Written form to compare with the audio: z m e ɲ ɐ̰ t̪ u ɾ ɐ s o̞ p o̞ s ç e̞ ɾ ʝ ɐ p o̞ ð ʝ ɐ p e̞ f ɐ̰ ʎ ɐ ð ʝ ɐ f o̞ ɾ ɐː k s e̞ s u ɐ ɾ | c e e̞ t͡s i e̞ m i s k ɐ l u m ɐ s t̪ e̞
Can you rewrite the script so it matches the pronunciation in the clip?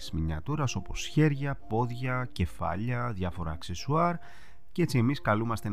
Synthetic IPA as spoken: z m i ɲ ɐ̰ t̪ u ɾ ɐ s o̞ p o̞ s ç e̞ ɾ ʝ ɐ p o̞ ð ʝ ɐ c e̞ f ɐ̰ ʎ ɐ ð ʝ ɐ f o̞ ɾ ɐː k s e̞ s u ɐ ɾ | c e e̞ t͡s i e̞ m i s k ɐ l u m ɐ s t̪ e̞